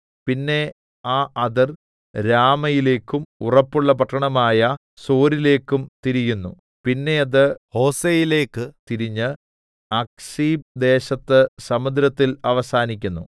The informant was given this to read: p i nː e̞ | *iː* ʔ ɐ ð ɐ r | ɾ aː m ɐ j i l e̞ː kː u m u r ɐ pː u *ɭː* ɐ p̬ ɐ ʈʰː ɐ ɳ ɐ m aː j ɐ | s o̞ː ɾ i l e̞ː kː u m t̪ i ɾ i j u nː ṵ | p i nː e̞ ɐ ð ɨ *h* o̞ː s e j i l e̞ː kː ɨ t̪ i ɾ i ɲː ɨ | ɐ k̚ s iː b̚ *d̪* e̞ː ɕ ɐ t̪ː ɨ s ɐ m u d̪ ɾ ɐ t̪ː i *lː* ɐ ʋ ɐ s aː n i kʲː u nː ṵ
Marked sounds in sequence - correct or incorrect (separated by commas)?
incorrect, correct, correct, correct, incorrect